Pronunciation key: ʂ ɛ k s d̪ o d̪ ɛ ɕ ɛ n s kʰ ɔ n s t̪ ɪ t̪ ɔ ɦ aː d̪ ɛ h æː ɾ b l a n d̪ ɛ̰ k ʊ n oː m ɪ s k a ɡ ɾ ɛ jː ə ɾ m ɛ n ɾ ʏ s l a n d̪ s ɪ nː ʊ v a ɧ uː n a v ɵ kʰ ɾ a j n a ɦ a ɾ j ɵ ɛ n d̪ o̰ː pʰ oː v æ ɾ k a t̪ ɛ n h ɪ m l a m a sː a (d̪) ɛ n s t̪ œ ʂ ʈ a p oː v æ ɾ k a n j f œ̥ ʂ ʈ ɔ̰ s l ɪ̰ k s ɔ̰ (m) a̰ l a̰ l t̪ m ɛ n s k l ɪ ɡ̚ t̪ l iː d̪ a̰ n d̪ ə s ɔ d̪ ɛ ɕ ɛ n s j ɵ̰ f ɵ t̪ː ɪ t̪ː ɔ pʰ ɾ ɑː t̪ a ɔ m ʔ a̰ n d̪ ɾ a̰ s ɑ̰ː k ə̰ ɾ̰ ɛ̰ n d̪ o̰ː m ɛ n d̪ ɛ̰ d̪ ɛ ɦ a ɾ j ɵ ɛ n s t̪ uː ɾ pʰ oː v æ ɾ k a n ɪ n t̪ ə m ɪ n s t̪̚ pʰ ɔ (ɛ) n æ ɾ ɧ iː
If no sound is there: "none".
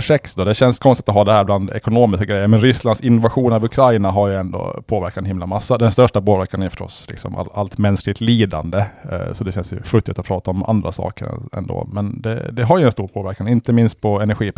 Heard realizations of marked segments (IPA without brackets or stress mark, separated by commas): d̪, m, ɛ